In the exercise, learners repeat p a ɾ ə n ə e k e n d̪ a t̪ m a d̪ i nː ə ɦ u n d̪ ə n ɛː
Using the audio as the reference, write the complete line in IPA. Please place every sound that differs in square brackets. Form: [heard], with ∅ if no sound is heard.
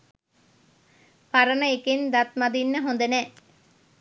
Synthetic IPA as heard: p a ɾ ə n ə e k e n d̪ a t̪ m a d̪ i nː ə ɦ [o] n d̪ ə n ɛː